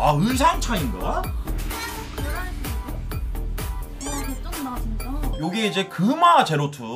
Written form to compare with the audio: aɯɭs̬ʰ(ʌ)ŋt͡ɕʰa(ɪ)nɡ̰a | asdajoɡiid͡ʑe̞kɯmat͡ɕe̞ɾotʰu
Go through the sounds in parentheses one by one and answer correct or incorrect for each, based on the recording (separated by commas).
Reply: incorrect, incorrect